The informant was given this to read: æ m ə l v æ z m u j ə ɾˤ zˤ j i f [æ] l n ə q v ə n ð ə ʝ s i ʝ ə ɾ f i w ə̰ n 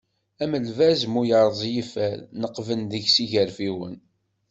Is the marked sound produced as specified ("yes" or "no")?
yes